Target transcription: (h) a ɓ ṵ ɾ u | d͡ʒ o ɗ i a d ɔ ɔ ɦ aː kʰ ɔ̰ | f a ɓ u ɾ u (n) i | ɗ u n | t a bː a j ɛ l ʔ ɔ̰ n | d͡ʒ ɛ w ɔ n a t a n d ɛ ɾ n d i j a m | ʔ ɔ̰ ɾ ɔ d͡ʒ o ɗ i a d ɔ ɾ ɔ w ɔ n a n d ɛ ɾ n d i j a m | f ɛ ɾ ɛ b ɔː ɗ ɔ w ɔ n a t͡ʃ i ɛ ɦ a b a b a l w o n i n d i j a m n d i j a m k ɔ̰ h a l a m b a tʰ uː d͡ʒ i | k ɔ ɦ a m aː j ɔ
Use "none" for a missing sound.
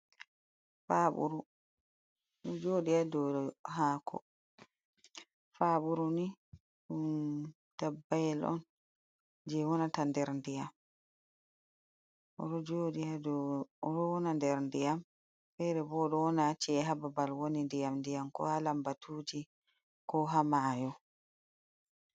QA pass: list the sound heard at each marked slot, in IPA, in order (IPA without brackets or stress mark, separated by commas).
f, n